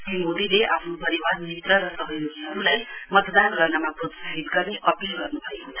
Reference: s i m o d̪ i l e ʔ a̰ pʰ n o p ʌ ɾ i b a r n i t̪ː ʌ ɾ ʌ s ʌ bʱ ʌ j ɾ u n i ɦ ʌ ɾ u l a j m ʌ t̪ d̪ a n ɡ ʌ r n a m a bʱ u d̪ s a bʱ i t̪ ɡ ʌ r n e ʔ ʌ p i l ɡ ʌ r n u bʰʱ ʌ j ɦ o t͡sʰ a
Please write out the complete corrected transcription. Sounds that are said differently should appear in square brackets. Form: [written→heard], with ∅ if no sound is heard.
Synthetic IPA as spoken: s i m o d̪ i l e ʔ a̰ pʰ n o p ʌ ɾ i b a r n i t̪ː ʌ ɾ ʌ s ʌ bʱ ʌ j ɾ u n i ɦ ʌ ɾ u l a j m ʌ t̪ d̪ a n ɡ ʌ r n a m a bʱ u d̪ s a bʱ i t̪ ɡ ʌ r n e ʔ ʌ p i l ɡ ʌ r n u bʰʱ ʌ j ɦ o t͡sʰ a